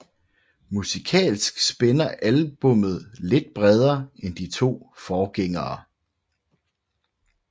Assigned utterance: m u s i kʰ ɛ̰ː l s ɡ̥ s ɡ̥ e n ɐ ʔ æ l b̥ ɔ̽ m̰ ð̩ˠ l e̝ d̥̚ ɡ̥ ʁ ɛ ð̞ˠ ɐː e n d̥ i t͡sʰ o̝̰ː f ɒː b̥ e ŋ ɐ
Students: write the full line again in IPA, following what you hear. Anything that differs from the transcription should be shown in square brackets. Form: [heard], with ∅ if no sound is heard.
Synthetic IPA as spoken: m u s i kʰ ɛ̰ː l s ɡ̥ s [b̥] e n ɐ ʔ æ l b̥ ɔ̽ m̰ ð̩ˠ l e̝ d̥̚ [b̥] ʁ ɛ ð̞ˠ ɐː e n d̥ i t͡sʰ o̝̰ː f ɒː [ɡ̥] e ŋ [ɐː]